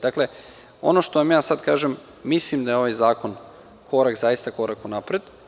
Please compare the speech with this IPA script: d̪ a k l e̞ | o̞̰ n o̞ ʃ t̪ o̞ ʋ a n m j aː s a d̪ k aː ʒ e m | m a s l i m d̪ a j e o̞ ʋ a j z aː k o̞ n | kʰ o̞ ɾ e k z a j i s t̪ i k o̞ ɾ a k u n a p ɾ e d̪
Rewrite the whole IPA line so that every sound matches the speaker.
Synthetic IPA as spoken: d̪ a k l e̞ | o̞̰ n o̞ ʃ t̪ o̞ ʋ a m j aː s a d̪ k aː ʒ e m | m i s l i m d̪ a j e o̞ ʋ a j z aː k o̞ n | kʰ o̞ ɾ a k z a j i s t̪ a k o̞ ɾ a k u n a p ɾ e d̪